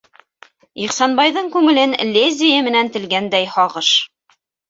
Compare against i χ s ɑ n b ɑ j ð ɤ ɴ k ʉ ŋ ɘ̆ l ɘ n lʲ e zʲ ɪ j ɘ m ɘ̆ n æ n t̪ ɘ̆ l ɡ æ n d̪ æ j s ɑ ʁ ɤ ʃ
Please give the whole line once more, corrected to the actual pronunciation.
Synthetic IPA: i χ s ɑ n b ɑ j ð ɤ ɴ k ʉ ŋ ɘ̆ l ɘ n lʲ e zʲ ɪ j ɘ m ɘ̆ n æ n t̪ ɘ̆ l ɡ æ n d̪ æ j h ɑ ʁ ɤ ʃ